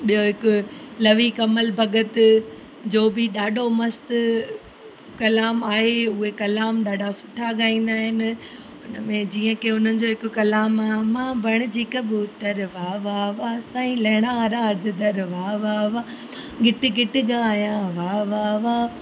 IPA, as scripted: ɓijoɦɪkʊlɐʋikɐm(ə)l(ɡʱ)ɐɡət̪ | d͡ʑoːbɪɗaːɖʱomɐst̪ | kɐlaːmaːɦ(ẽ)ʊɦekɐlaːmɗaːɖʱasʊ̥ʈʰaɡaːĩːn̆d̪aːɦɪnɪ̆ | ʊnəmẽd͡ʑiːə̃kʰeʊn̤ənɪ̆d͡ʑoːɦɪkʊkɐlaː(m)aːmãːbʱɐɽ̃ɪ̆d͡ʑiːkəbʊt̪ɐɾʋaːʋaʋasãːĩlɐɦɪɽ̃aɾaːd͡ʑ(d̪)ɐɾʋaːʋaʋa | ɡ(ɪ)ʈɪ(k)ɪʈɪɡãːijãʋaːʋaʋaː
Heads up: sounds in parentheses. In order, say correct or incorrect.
correct, incorrect: bʱ, incorrect: e, correct, correct, correct, incorrect: ɡ

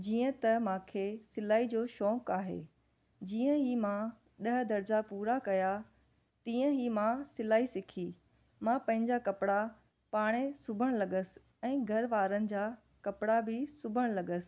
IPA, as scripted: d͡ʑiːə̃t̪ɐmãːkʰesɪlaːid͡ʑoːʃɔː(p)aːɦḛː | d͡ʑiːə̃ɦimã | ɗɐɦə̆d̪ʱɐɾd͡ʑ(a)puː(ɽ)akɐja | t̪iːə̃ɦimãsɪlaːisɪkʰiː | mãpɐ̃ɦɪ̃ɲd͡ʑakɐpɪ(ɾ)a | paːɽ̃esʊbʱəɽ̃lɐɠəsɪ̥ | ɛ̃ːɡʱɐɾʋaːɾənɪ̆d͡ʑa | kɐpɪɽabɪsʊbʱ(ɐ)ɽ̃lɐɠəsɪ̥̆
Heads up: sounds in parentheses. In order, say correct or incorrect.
incorrect: k, correct, incorrect: ɾ, incorrect: ɽ, incorrect: ə

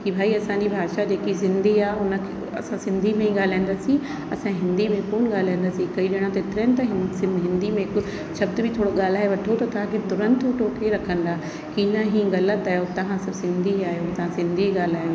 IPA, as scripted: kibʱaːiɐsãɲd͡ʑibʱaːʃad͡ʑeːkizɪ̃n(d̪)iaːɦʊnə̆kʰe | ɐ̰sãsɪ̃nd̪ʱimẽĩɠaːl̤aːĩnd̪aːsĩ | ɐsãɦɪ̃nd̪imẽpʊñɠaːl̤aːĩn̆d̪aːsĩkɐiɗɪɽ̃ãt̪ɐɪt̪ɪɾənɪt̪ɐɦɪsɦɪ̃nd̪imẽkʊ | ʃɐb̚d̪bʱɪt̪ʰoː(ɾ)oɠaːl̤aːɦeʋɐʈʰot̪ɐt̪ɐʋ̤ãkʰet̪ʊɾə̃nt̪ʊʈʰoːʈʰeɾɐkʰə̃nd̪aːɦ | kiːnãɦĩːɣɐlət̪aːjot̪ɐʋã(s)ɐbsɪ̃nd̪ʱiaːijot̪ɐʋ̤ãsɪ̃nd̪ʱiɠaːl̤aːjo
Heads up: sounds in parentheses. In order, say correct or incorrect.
correct, incorrect: ɽ, correct

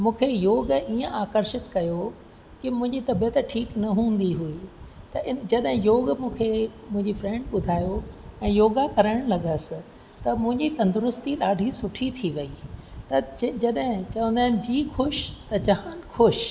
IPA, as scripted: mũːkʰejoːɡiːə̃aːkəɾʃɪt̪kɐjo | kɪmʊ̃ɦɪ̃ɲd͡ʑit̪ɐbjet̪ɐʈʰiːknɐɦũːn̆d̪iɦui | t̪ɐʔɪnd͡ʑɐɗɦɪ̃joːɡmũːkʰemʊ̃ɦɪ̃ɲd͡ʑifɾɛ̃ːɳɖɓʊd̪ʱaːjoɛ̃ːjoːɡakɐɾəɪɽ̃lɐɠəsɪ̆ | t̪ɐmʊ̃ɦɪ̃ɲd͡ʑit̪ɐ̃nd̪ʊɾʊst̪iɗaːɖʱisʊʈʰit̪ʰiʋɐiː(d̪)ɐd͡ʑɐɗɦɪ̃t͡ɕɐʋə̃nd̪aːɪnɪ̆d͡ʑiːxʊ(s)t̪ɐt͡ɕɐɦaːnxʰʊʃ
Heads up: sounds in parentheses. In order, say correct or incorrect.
incorrect: t̪, incorrect: ʃ

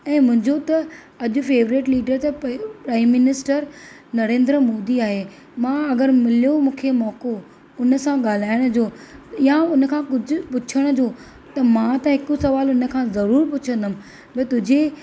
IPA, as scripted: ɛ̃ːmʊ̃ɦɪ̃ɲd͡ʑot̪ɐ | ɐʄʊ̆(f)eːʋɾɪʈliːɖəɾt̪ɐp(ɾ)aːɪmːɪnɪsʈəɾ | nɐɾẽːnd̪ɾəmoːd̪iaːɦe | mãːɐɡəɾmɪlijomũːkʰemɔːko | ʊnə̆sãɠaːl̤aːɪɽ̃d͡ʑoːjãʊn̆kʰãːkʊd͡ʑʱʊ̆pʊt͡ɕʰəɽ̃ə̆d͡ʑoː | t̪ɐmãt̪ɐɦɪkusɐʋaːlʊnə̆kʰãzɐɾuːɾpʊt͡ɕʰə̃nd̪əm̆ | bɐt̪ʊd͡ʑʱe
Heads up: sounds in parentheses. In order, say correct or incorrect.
correct, correct

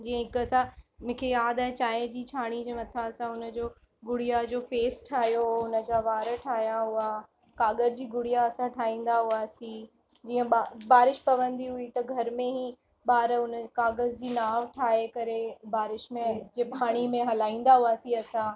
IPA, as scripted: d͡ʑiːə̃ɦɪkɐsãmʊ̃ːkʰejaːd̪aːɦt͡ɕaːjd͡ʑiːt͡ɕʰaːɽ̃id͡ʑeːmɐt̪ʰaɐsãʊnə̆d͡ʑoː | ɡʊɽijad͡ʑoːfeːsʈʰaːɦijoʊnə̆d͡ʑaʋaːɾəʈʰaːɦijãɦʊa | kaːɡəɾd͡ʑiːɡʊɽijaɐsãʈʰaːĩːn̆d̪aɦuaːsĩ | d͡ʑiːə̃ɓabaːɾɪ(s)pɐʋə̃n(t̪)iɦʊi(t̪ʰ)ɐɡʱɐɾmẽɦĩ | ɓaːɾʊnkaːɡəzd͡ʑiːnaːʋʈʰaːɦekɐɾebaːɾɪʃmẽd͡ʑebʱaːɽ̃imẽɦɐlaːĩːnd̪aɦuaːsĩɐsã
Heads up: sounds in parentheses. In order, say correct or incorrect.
incorrect: ʃ, incorrect: d̪, incorrect: t̪

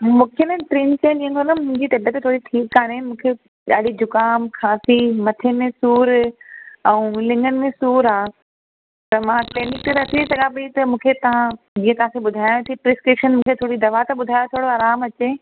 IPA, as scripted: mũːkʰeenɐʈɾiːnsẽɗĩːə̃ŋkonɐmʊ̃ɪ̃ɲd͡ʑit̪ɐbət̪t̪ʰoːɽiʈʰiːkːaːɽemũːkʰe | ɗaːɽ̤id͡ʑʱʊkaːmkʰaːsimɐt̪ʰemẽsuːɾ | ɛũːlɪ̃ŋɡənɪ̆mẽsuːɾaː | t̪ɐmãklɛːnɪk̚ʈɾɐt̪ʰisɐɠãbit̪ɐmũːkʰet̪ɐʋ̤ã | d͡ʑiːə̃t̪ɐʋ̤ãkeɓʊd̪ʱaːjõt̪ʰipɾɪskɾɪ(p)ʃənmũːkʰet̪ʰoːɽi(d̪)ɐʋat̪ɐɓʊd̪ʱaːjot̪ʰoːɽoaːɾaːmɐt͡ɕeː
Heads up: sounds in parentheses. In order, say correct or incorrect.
correct, correct

